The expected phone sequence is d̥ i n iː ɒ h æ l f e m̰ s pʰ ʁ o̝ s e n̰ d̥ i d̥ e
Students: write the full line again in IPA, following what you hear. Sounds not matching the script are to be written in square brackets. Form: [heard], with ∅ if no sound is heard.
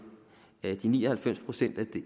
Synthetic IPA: d̥ i n iː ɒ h æ l f e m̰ s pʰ ʁ o̝ s e n̰ d̥ [æ] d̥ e

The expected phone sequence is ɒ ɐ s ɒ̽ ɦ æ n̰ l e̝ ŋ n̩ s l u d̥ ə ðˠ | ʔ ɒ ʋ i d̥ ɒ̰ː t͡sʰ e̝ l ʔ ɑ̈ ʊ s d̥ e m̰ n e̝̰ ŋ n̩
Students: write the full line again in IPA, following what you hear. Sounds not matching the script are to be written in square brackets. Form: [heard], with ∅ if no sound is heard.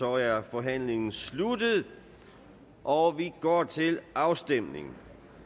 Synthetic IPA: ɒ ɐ [f] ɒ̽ ɦ æ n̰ l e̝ ŋ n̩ s l u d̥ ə ðˠ | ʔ ɒ ʋ i [ɡ̥] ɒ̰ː t͡sʰ e̝ l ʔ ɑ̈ ʊ s d̥ e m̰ n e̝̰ ŋ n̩

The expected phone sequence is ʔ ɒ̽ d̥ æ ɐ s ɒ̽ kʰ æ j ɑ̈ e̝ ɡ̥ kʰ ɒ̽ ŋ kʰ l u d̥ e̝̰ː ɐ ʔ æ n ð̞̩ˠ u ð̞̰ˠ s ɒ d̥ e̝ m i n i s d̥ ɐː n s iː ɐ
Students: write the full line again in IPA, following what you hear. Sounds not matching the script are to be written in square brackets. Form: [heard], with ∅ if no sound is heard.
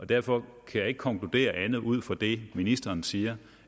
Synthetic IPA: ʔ ɒ̽ d̥ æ ɐ [f] ɒ̽ kʰ æ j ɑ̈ e̝ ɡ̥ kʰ ɒ̽ ŋ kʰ l u d̥ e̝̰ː ɐ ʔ æ n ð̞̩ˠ u ð̞̰ˠ [f] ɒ d̥ e̝ m i n i s d̥ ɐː n s iː ɐ

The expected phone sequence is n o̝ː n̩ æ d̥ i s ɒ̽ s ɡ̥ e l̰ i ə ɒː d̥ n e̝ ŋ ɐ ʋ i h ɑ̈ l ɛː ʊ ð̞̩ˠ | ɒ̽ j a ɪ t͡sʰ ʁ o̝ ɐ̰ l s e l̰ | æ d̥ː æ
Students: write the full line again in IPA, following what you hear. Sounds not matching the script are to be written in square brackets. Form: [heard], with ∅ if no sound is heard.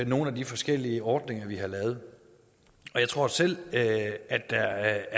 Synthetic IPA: n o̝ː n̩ æ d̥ i [f] ɒ̽ s ɡ̥ e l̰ i ə ɒː d̥ n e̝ ŋ ɐ ʋ i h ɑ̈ l ɛː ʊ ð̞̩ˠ | ɒ̽ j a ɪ t͡sʰ ʁ o̝ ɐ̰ [∅] s e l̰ | æ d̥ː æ

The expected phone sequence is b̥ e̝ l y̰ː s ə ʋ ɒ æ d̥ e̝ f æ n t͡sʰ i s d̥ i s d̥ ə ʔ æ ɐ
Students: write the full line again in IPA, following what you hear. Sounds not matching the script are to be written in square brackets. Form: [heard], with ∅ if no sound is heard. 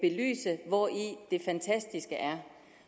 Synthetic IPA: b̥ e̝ l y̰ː s ə ʋ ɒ [i] d̥ e̝ f æ n t͡sʰ [æ] s d̥ i s [ɡ̥] ə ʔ æ ɐ

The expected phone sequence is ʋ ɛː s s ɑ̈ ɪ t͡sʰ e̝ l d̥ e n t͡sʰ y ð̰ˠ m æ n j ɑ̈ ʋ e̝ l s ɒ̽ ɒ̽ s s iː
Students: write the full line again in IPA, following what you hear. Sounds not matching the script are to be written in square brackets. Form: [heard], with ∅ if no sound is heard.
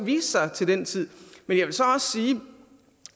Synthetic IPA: ʋ [iː] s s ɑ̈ ɪ t͡sʰ e̝ l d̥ e n t͡sʰ [i] ð̰ˠ m [e] n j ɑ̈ ʋ e̝ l s ɒ̽ ɒ̽ s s iː

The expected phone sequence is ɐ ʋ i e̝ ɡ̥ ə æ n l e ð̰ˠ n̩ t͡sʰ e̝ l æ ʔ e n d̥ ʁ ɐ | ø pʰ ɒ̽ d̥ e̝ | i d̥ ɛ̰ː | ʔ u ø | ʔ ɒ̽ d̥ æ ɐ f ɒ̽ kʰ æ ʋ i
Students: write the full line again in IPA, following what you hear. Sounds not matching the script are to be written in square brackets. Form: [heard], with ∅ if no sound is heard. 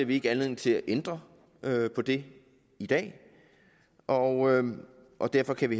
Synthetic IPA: ɐ ʋ i e̝ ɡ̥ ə æ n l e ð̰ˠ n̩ t͡sʰ e̝ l æ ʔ e n d̥ ʁ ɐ | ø pʰ ɒ̽ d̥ e̝ | i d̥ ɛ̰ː | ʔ [ɒ] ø | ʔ ɒ̽ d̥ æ ɐ f ɒ̽ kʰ æ ʋ i

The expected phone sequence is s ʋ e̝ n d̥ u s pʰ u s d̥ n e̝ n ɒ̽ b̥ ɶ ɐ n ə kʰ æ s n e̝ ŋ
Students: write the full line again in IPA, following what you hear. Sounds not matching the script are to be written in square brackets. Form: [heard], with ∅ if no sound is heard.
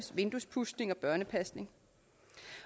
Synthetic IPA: s ʋ e̝ n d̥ u s pʰ u s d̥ n e̝ [ŋ] ɒ̽ b̥ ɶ ɐ n ə [pʰ] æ s n e̝ ŋ

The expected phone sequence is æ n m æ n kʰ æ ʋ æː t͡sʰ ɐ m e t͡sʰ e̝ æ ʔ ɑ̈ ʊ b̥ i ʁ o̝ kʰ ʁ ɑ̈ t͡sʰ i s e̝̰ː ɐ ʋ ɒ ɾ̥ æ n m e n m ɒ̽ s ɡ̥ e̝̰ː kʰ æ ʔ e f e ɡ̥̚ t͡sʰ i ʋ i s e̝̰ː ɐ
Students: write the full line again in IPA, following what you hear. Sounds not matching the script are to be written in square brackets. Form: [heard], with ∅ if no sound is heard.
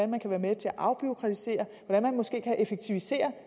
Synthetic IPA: æ n m æ n kʰ æ ʋ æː [∅] ɐ m e t͡sʰ e̝ æ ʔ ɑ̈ ʊ b̥ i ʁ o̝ kʰ ʁ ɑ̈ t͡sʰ i s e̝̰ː ɐ ʋ ɒ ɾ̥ æ n m [æ] n m ɒ̽ s ɡ̥ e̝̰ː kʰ æ ʔ e f e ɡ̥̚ t͡sʰ i ʋ i s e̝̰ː ɐ

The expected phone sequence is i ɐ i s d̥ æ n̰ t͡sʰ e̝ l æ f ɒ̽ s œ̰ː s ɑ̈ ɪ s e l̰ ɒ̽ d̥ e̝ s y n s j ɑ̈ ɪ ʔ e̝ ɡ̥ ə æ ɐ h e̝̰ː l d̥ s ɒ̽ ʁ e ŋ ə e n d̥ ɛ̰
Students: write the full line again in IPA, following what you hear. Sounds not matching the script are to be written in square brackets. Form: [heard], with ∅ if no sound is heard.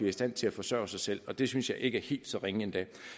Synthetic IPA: i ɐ i s d̥ æ n̰ t͡sʰ e̝ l æ f ɒ̽ s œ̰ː s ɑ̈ ɪ s e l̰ ɒ̽ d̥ e̝ s y n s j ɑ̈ ɪ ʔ e̝ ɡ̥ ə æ ɐ h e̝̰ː l d̥ s ɒ̽ ʁ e ŋ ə e n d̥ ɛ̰

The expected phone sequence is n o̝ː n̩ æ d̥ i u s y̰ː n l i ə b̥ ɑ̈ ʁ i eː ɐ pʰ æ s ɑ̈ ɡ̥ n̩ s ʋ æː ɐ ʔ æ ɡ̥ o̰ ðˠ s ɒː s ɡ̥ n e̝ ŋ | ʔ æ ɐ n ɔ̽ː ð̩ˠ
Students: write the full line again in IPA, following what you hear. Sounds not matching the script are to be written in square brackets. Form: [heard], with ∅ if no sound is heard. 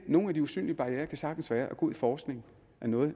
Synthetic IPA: n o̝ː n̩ æ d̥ i u s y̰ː n l i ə b̥ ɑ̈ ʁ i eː ɐ [kʰ] æ s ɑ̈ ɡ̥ n̩ s ʋ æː ɐ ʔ æ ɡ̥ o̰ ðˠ [f] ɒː s ɡ̥ n e̝ ŋ | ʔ æ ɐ n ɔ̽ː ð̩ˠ

